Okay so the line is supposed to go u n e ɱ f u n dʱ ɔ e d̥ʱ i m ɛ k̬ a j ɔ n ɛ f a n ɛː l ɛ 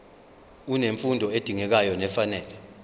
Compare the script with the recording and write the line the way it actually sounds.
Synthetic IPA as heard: u n e ɱ f u n dʱ ɔ e d̥ʱ i ŋ ɛ k̬ a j ɔ n ɛ f a n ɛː l ɛ